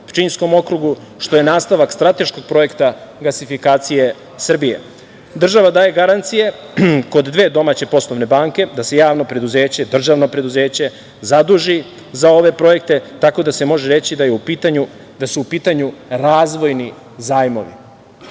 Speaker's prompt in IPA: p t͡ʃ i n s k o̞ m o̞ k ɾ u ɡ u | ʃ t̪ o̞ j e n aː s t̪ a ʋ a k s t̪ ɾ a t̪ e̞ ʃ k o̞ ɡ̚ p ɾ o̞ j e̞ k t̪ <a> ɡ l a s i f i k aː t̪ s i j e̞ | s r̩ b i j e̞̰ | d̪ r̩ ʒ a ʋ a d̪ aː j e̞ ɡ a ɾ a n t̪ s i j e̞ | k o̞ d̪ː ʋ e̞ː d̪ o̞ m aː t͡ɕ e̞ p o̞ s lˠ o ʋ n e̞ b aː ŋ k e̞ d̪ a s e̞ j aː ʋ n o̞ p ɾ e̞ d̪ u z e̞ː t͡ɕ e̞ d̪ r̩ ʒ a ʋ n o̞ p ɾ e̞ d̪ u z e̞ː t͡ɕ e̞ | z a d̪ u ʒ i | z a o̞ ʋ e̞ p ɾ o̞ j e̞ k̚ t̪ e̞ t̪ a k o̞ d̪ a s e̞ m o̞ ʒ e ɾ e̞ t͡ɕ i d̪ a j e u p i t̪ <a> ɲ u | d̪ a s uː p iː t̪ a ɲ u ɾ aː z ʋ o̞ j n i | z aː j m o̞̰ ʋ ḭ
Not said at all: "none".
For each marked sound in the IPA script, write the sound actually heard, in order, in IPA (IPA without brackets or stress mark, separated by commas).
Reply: a, a